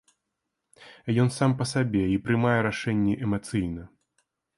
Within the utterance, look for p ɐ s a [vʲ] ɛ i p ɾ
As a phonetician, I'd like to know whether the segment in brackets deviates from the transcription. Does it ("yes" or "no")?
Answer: yes